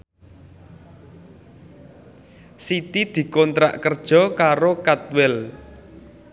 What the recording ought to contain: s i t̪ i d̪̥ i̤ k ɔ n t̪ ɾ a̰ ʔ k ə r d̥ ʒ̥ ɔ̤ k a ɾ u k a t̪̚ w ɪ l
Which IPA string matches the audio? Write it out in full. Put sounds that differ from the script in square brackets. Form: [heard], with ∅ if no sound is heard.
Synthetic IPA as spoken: s i t̪ i d̪̥ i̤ k ɔ n t̪ ɾ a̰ ʔ k ə r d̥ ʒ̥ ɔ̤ k a ɾ [o] k a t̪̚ w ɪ l